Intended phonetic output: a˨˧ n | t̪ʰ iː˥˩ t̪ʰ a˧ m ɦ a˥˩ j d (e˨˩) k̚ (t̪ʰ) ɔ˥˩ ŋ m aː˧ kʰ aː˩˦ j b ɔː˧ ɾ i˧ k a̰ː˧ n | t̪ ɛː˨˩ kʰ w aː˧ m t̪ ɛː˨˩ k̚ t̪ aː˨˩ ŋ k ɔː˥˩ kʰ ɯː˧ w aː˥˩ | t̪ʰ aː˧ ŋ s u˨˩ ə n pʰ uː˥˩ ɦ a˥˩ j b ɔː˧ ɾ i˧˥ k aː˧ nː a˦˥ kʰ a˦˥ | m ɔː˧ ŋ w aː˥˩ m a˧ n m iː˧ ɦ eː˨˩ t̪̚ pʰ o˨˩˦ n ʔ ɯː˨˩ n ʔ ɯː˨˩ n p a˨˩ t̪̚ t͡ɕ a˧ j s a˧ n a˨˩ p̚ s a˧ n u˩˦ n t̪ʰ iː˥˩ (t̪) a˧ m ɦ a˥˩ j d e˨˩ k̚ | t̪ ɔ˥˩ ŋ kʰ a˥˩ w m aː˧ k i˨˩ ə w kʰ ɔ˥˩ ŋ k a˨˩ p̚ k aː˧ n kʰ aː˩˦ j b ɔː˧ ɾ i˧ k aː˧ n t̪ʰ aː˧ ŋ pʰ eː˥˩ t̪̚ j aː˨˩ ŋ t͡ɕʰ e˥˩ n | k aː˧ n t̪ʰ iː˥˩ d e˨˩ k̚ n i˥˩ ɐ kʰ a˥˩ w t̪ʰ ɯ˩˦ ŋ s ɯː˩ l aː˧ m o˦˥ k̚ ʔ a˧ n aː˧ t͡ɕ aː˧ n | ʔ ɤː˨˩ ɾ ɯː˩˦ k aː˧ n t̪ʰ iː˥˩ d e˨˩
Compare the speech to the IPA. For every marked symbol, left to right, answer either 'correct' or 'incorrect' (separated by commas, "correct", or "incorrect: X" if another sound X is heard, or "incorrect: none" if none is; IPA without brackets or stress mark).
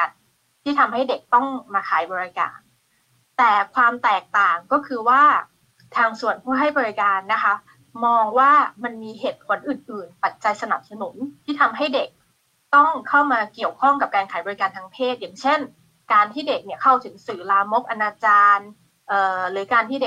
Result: correct, incorrect: t̪, incorrect: t̪ʰ